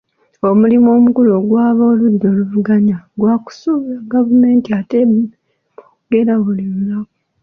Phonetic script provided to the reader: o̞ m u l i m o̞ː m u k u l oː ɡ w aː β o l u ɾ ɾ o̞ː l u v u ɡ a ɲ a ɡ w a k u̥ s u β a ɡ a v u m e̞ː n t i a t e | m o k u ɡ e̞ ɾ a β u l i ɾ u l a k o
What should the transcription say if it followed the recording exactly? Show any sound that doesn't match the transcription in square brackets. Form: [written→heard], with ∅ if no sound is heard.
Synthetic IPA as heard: o̞ m u l i m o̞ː m u k u l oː ɡ w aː β o l u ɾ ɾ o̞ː l u v u ɡ a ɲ a ɡ w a k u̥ s u β a ɡ a v u m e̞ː n t i a t e | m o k u ɡ e̞ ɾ a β u l i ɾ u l a k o